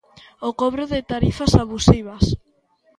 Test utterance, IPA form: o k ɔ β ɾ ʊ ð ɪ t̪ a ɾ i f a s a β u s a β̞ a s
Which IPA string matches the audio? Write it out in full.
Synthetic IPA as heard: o k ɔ β ɾ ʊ ð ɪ t̪ a ɾ i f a s a β u s i β̞ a s

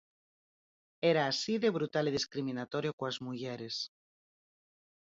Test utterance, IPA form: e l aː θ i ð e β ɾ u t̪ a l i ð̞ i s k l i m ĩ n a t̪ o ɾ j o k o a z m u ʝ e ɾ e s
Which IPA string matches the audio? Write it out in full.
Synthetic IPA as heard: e ɾ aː s i ð e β ɾ u t̪ a l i ð̞ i s k ɾ i m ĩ n a t̪ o ɾ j o k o a z m u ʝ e ɾ e s

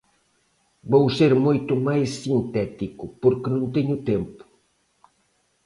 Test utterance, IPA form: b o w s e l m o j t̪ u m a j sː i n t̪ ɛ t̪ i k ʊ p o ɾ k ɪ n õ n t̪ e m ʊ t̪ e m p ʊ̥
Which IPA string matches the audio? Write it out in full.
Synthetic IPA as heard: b o w s e ɾ m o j t̪ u m a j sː i n t̪ ɛ t̪ i k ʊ p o ɾ k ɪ n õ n t̪ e ɲ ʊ t̪ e m p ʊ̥

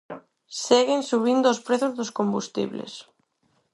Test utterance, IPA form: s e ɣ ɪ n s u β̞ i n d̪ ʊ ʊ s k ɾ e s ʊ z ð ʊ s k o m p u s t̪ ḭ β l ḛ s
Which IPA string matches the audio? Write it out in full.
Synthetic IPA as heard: s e ɣ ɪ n s u β̞ i n d̪ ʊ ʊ s p ɾ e θ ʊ z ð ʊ s k o m b u s t̪ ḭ β l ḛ s

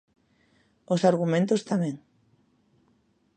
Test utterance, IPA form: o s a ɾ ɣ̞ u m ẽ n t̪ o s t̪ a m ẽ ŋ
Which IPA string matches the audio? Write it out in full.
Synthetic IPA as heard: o s a ɾ ɣ̞ u m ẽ n t̪ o s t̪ a m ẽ ŋ

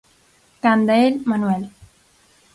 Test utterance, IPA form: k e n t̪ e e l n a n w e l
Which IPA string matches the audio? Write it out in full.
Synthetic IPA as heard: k a n d̪ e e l m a n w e l

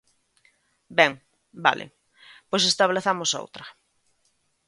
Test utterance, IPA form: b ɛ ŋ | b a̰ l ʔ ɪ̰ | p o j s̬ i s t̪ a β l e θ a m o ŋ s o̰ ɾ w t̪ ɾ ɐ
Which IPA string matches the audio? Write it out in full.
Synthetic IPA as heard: b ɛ ŋ | b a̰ l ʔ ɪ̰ | p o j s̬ e s t̪ a β l e θ a m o s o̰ w t̪ ɾ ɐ

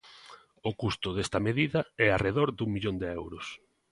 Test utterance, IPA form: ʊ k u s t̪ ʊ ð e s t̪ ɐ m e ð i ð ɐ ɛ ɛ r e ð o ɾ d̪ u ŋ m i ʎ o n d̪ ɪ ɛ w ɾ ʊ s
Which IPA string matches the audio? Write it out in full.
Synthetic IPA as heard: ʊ k u s t̪ ʊ ð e s t̪ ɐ m e ð i ð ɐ ɛ a r e ð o ɾ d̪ u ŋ m i ʎ o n d̪ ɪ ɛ w ɾ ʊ s

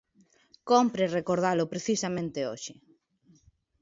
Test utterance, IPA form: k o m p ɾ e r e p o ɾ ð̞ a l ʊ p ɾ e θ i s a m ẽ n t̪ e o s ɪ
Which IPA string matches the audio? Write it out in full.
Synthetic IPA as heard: k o m p ɾ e r e k o ɾ ð̞ a l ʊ p ɾ e θ i s a m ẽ n t̪ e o ʃ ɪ

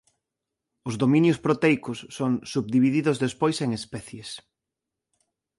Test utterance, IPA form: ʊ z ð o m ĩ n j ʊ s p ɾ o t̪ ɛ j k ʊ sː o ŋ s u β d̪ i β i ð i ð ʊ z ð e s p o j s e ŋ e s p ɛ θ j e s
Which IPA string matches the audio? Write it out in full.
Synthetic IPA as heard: ʊ z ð o m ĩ n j ʊ s p ɾ o t̪ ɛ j k ʊ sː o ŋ s u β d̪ i β i ð i ð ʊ z ð e s p o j s e ŋ e s p ɛ θ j e s

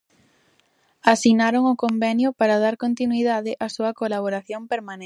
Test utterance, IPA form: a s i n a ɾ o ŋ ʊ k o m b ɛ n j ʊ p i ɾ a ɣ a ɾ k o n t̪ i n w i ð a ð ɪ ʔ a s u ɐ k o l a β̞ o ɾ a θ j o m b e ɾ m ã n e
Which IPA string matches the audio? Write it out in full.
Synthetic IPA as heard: a s i n a ɾ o ŋ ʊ k o m b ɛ n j ʊ p a ɾ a ð a ɾ k o n t̪ i n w i ð a ð ɪ ʔ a s u ɐ k o l a β̞ o ɾ a θ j o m p e ɾ m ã n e

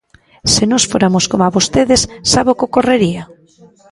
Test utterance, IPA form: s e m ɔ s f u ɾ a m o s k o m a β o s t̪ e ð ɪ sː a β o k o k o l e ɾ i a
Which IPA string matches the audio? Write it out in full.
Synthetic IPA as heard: s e n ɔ s f o ɾ a m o s k o m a β o s t̪ e ð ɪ sː a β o k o k o r e ɾ i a

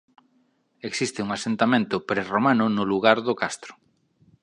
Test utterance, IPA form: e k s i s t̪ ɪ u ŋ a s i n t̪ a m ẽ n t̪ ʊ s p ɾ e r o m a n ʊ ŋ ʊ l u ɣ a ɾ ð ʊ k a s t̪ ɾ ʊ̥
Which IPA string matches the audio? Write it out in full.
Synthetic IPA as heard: e k s i s t̪ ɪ u ŋ a s e n t̪ a m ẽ n t̪ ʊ p ɾ e r o m a n ʊ n ʊ l u ɣ a ɾ ð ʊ k a s t̪ ɾ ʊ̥

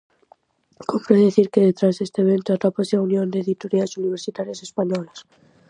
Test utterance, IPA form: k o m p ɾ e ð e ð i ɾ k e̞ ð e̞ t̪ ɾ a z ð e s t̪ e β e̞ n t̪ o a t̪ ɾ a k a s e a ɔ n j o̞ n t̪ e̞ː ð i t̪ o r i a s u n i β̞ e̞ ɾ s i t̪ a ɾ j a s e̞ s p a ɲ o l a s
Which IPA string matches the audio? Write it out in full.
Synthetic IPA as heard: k o m p ɾ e ð e θ i ɾ k e̞ ð e̞ t̪ ɾ a z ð e s t̪ e β e̞ n t̪ o a t̪ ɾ a p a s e a u n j o̞ n d̪ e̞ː ð i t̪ o ɾ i a s u n i β̞ e̞ ɾ s i t̪ a ɾ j a s e̞ s p a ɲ o l a s

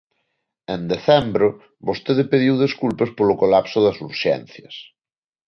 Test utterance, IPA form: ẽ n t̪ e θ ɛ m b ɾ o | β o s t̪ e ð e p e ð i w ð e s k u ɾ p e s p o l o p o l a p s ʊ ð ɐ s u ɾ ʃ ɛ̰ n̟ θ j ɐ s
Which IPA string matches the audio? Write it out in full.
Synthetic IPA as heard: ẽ n d̪ e θ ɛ m b ɾ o | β o s t̪ e ð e p e ð i w ð e s k u l p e s p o l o k o l a p s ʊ ð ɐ s u ɾ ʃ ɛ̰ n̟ θ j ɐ s

